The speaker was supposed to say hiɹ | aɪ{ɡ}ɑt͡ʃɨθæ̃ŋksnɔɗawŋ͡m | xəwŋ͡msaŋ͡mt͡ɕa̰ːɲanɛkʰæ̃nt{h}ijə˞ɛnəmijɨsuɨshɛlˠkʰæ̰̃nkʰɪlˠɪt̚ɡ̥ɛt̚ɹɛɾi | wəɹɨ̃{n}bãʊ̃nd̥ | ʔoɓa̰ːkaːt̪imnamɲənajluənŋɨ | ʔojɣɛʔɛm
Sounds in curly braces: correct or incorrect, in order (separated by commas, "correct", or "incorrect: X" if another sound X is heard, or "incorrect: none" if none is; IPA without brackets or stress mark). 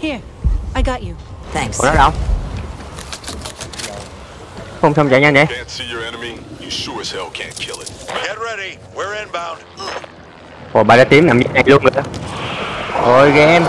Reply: correct, incorrect: s, correct